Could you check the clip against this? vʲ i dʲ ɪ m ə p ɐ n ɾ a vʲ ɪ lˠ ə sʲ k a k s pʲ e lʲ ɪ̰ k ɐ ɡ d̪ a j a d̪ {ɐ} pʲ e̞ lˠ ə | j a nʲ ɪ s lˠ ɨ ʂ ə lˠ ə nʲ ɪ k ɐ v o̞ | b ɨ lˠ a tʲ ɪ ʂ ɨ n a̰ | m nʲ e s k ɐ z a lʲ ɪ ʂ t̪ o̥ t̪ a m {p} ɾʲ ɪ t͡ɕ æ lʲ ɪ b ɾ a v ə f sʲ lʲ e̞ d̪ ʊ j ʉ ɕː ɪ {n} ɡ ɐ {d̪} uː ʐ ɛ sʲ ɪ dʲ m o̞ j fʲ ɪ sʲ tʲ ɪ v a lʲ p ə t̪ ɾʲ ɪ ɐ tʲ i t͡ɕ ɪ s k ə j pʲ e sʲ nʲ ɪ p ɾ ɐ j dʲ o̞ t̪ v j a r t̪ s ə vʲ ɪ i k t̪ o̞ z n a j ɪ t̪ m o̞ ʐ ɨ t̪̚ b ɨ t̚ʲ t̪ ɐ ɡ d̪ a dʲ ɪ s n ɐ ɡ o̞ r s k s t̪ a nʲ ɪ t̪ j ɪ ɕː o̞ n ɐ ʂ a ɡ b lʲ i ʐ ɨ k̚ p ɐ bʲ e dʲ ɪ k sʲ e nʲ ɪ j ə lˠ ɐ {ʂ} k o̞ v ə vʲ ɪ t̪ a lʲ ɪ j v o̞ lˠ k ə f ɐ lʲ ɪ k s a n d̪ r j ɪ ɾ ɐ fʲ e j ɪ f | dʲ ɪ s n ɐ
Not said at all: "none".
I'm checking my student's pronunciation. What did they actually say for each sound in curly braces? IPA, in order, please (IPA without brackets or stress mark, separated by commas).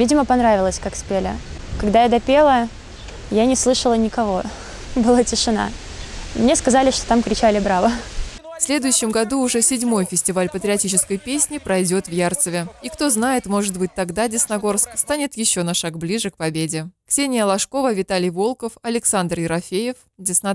ɐ, k, m, d̪, ʂ